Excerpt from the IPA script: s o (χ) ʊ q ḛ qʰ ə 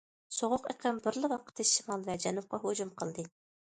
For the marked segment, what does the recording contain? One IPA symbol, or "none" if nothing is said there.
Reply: ʁ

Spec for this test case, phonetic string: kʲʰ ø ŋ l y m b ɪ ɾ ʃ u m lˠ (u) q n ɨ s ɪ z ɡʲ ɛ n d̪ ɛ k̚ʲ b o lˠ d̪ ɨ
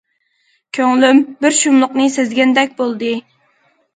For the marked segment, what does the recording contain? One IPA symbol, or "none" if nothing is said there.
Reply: ʊ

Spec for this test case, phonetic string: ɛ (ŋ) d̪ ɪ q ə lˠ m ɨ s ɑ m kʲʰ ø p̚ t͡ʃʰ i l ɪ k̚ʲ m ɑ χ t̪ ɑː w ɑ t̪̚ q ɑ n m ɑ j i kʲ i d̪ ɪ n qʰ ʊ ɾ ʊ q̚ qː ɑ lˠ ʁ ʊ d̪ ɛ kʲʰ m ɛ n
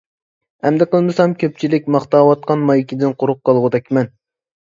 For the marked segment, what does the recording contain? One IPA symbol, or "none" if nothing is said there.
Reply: m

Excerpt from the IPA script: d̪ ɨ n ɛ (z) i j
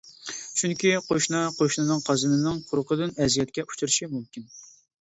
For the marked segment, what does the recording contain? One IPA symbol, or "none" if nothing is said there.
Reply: z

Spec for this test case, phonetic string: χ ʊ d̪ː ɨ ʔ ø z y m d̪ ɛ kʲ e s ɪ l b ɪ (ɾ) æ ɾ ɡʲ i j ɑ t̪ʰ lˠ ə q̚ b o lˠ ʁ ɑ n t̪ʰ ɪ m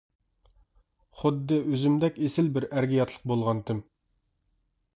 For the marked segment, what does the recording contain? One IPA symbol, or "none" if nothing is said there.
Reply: ɾ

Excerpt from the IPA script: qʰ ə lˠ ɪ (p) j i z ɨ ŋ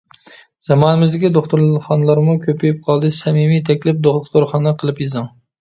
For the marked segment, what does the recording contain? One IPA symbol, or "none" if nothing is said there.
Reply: p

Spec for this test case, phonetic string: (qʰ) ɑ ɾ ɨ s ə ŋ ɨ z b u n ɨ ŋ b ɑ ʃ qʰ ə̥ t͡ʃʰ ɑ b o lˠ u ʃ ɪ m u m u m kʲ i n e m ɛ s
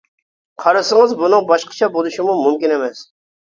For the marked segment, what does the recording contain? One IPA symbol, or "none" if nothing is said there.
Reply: qʰ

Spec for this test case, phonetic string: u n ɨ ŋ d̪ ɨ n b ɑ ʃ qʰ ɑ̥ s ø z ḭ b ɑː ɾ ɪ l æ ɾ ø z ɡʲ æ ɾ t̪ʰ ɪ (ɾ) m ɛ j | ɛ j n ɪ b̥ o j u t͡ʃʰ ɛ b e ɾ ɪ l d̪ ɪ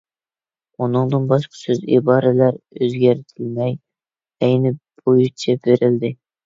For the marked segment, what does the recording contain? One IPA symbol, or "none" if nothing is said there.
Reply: l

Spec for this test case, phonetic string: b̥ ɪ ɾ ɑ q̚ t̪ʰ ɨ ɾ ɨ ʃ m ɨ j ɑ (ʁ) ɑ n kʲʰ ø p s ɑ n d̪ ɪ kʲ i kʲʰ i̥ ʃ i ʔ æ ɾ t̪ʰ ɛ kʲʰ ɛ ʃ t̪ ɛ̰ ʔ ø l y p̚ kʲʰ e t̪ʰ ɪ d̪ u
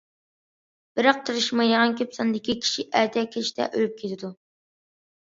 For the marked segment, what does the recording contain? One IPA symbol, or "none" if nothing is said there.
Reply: ʁ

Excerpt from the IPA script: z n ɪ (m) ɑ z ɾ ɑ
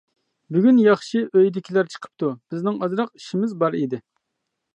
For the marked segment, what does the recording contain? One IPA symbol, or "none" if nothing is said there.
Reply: ŋ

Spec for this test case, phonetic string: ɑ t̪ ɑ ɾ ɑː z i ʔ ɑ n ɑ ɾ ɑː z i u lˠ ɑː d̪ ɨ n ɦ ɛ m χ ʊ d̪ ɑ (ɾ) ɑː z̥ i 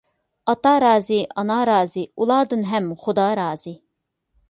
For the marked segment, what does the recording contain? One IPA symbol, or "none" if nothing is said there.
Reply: ɾ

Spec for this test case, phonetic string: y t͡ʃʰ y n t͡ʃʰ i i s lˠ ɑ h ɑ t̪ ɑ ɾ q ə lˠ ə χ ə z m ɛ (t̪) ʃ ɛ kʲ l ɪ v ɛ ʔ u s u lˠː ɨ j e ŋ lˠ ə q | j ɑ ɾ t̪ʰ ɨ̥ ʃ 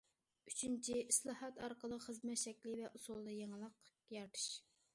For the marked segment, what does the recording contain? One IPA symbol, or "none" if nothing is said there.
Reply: t̪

